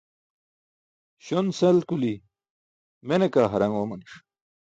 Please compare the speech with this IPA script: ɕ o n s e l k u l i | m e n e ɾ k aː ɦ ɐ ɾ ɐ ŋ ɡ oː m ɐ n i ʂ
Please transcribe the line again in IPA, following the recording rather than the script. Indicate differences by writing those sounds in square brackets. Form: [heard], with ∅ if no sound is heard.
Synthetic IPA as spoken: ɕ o n s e l k u l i | m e n e [∅] k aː ɦ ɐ ɾ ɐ ŋ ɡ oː m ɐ n i ʂ